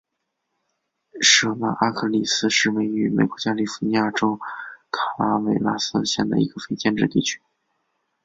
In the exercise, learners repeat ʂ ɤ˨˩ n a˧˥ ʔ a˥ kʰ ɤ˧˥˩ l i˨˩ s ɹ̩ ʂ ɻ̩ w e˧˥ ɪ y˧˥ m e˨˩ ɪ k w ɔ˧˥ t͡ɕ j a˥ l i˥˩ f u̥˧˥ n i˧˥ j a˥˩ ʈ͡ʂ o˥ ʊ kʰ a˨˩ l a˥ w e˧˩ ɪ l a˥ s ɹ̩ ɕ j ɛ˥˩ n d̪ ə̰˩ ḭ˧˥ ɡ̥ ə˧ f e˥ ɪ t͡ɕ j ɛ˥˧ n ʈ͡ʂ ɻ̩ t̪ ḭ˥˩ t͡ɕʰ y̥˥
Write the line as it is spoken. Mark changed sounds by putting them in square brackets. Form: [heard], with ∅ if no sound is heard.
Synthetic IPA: ʂ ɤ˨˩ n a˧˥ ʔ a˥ kʰ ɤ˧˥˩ l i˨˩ s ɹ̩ ʂ ɻ̩ w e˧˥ ɪ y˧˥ m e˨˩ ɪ k w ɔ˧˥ t͡ɕ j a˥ l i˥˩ f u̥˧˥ n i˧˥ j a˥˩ ʈ͡ʂ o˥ ʊ kʰ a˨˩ l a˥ w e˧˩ ɪ l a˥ s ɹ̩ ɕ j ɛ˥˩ n d̪ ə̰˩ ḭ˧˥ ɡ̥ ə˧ f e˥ ɪ t͡ɕ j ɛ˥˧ n ʈ͡ʂ ɻ̩ t̪ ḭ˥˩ t͡ɕʰ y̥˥